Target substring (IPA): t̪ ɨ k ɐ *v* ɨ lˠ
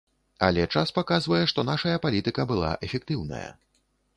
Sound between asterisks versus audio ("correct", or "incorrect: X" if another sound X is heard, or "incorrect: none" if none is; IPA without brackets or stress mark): incorrect: b